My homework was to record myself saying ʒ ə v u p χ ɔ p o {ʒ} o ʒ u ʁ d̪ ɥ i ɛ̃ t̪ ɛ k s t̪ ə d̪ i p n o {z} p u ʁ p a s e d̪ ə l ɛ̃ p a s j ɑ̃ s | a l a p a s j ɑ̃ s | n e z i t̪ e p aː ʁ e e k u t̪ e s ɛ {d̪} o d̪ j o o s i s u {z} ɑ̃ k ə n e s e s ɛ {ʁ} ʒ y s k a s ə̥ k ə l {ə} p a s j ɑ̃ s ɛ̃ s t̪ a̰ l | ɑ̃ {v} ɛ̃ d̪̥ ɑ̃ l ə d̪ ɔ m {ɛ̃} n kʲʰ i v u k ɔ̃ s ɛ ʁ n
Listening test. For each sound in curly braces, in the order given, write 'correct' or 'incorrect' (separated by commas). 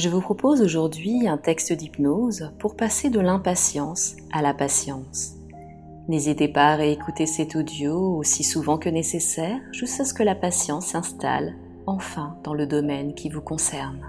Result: incorrect, correct, incorrect, incorrect, correct, incorrect, incorrect, incorrect